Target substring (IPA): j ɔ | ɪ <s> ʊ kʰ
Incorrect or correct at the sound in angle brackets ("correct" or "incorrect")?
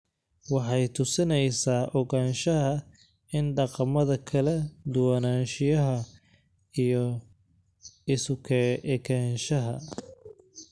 correct